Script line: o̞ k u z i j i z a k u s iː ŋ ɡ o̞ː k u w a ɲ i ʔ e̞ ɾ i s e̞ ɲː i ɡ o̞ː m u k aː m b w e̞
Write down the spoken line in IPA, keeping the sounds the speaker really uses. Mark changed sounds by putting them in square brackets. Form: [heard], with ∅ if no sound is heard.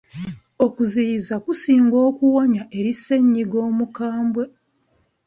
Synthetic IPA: o̞ k u z i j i z a k u s iː ŋ ɡ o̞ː k u w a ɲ [a] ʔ e̞ ɾ i s e̞ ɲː i ɡ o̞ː m u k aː m b w e̞